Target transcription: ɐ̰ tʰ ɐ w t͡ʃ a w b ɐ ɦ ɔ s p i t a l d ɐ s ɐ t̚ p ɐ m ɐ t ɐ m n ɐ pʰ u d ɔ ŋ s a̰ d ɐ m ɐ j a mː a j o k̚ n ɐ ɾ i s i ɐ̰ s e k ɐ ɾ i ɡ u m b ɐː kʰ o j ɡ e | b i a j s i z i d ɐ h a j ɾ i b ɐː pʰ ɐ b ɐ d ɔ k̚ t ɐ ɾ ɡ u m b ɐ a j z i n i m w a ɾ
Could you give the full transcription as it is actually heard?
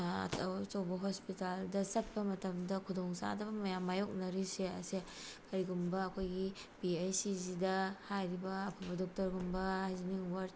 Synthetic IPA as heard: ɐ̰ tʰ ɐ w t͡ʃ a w b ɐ ɦ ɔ s p i t a l d ɐ s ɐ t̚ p ɐ m ɐ t ɐ m d ɐ kʰ u d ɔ ŋ s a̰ d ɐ m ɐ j a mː a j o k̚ n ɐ ɾ i s e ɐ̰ s e k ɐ ɾ i ɡ u m b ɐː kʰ o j ɡ i | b i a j s i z i d ɐ h a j ɾ i b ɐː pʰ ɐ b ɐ d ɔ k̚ t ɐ ɾ ɡ u m b ɐ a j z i n i ŋ w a ɾ